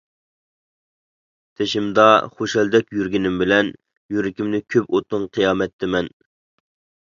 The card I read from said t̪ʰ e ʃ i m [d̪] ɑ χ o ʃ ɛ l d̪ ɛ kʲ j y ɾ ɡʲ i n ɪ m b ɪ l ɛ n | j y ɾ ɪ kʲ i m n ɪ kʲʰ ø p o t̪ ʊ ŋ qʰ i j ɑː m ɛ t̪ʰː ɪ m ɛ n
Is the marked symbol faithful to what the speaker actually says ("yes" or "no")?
yes